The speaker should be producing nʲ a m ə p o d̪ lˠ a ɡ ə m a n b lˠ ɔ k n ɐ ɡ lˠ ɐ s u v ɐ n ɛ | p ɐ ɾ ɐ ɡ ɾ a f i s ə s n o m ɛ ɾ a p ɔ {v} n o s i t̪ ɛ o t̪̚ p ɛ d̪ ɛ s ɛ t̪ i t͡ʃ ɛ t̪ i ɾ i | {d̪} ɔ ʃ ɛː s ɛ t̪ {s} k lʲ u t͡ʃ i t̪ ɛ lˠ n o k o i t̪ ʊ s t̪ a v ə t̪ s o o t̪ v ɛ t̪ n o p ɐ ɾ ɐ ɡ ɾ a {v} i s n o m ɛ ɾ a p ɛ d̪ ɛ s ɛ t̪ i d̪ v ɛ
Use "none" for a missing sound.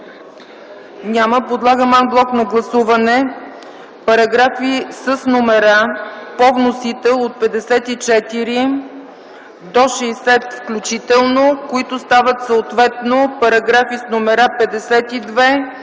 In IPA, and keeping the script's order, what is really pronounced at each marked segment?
v, d̪, f, f

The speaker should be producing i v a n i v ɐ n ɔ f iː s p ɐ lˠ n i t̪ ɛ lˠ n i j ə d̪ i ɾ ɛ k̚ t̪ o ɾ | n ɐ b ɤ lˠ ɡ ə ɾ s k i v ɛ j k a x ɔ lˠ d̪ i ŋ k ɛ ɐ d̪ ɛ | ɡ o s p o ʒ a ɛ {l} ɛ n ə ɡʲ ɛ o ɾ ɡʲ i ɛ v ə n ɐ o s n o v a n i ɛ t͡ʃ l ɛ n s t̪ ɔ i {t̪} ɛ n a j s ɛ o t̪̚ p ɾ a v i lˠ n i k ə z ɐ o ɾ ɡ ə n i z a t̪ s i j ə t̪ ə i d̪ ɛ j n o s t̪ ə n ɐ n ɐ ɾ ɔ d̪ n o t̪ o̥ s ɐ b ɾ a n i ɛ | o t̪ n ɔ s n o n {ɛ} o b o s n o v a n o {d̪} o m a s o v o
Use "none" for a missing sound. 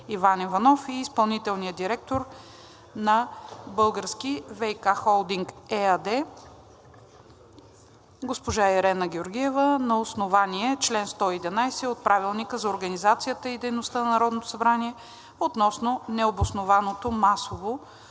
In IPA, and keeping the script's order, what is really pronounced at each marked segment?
ɾ, d̪, ɛ, t̪

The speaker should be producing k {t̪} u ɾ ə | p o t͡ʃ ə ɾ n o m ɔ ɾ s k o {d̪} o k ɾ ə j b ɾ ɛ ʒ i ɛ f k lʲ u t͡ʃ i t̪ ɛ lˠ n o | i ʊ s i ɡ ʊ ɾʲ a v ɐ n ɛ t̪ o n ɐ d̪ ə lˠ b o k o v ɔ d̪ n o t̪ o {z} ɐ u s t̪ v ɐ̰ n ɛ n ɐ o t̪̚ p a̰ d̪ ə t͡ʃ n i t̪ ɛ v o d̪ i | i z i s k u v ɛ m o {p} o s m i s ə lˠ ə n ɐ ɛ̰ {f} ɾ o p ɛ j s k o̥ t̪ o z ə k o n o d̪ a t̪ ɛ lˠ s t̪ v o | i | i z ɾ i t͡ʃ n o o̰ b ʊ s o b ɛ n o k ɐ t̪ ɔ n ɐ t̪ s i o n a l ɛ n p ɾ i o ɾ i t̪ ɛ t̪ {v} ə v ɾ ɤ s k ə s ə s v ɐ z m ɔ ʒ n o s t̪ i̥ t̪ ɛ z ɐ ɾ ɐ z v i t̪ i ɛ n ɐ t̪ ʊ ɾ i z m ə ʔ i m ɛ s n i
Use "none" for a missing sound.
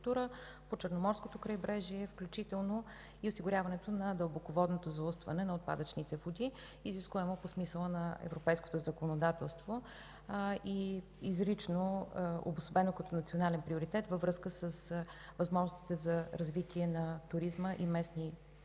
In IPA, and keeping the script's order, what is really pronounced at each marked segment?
t̪, t̪, z, p, v, v

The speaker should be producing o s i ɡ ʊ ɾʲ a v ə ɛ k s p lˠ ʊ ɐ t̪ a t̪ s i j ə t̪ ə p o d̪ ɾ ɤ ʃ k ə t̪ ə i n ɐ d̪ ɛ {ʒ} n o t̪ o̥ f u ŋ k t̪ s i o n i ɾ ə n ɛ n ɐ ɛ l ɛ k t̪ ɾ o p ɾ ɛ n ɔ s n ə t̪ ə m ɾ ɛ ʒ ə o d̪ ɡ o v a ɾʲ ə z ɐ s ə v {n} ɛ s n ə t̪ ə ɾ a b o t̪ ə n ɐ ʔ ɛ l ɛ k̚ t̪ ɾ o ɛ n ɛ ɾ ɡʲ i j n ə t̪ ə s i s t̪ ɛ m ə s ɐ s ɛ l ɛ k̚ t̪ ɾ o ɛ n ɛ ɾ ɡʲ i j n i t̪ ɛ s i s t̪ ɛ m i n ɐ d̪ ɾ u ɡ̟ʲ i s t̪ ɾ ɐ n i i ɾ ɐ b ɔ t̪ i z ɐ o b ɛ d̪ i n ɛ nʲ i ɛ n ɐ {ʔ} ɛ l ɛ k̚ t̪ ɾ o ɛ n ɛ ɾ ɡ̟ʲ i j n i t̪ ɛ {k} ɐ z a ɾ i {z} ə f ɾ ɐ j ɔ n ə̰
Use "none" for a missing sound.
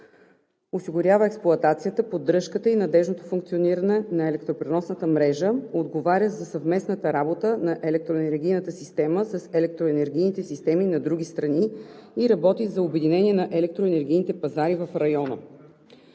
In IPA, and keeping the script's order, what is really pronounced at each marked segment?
ʒ, m, ʔ, p, v

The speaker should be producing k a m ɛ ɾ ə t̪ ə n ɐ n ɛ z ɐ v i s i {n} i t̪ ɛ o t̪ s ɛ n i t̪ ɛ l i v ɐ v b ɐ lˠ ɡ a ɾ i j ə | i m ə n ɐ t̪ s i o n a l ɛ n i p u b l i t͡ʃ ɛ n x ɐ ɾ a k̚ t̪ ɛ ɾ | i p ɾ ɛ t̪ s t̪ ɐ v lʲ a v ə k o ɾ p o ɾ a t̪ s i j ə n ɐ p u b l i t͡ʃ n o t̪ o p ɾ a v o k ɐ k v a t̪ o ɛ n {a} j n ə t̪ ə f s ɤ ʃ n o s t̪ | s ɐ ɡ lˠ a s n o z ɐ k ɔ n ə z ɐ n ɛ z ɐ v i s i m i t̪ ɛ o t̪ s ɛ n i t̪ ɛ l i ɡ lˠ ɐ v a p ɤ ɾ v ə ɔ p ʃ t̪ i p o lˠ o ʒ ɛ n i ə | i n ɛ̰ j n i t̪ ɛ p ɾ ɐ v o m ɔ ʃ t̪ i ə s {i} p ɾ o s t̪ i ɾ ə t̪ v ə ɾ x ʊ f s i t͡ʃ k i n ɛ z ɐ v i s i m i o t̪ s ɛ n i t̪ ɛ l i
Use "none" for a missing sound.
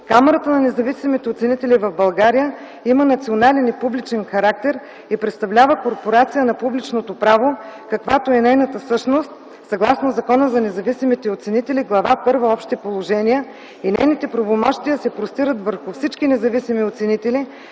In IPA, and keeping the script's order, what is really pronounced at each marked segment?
m, ɛ, ɛ

